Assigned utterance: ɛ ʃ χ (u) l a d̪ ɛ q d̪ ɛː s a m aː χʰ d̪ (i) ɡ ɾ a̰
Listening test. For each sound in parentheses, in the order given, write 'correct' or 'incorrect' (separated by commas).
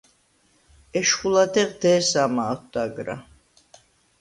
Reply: correct, incorrect